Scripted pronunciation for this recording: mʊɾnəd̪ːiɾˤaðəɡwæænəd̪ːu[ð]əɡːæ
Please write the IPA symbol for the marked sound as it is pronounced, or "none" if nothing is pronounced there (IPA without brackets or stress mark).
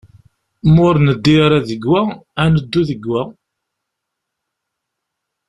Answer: ð